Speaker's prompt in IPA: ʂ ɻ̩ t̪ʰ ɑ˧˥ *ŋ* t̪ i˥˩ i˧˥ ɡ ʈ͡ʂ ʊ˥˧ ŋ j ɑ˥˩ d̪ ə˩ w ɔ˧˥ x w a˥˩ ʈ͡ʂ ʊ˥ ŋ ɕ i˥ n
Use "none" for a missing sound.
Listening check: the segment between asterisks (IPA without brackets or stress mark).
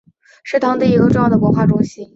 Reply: ŋ